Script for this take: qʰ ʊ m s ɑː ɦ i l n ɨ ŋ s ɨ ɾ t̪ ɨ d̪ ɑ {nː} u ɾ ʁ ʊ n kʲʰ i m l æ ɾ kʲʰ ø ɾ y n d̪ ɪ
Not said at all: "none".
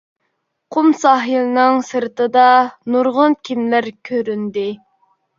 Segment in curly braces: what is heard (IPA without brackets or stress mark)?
n